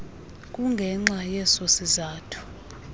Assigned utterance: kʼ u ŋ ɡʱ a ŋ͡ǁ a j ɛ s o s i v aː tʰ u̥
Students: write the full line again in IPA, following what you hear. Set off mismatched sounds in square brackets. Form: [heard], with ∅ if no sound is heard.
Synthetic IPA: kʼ u ŋ ɡʱ [ɛ] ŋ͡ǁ a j ɛ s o s i [z] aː tʰ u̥

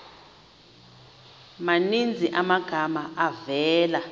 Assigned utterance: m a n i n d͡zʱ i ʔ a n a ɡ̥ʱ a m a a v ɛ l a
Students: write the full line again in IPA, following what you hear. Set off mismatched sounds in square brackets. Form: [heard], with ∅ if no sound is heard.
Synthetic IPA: m a n i n d͡zʱ i ʔ a [m] a ɡ̥ʱ a m a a v [ɛː] l a

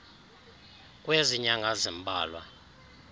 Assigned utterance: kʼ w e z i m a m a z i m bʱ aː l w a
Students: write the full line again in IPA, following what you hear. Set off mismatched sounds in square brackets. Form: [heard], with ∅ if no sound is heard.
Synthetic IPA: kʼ w e z i [ɲ] a [ŋ] a z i m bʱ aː l w a

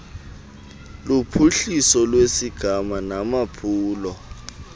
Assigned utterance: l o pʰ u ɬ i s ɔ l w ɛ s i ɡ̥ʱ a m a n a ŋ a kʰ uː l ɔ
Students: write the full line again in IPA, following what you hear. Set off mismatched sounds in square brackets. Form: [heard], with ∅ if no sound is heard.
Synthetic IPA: l [u] pʰ u ɬ i s ɔ l w [e] s i ɡ̥ʱ a m a n a [m] a [pʰ] uː l ɔ

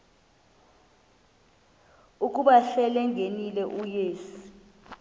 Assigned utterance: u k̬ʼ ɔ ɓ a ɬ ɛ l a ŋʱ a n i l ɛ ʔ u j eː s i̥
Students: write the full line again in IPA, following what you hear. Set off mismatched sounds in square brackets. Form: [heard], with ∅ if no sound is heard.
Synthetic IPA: u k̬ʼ [u] ɓ a ɬ ɛ l [ɛ] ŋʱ [e] n i l ɛ ʔ u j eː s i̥

